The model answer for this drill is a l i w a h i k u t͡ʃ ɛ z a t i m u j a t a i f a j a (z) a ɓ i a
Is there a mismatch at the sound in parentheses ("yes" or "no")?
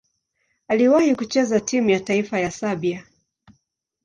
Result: yes